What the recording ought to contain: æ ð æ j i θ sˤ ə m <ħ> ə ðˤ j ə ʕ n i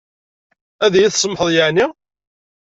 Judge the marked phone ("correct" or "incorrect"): correct